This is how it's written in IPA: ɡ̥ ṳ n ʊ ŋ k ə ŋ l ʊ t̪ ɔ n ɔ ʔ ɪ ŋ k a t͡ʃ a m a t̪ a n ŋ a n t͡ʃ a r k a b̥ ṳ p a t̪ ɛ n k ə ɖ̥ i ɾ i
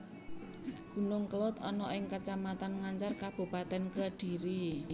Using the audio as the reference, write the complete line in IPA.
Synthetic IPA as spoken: ɡ̥ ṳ n ʊ ŋ k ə l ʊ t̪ ɔ n ɔ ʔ ɪ ŋ k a t͡ʃ a m a t̪ a n ŋ a ɲ t͡ʃ a r k a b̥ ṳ p a t̪ ɛ n k ə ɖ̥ i ɾ i